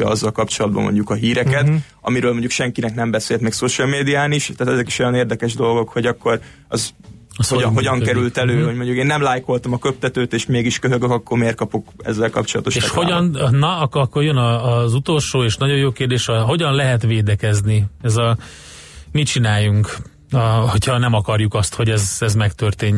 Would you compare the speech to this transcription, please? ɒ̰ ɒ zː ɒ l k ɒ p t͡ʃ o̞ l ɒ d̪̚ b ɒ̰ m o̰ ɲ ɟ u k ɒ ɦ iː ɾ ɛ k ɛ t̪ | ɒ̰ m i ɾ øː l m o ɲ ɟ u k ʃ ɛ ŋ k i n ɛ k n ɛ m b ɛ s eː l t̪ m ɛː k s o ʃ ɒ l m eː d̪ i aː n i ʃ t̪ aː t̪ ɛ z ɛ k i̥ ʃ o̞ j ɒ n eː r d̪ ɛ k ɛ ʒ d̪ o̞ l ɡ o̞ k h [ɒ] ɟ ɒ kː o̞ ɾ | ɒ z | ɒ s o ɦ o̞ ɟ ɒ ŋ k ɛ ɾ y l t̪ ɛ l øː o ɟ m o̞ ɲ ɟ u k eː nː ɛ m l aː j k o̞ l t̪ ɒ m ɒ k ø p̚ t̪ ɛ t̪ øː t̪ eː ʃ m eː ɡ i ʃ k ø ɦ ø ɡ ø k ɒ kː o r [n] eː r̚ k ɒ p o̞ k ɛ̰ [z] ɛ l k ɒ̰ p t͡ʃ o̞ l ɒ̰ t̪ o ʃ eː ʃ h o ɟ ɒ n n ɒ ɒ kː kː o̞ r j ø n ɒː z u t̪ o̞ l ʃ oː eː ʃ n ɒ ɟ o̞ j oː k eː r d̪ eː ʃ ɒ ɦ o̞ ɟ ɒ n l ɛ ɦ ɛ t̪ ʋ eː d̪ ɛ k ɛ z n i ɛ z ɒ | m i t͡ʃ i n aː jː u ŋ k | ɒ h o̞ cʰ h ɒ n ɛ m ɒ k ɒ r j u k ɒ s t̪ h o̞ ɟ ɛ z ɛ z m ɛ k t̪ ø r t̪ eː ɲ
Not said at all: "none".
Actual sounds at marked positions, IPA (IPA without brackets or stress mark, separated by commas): o, m, zː